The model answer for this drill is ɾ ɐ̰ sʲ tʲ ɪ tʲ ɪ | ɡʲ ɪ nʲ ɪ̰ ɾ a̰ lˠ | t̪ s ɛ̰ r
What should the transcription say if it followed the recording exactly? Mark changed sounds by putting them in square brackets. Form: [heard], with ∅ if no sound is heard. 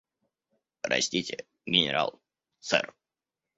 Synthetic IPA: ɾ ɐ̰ sʲ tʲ [i] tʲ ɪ | ɡʲ ɪ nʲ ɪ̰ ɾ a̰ lˠ | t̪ s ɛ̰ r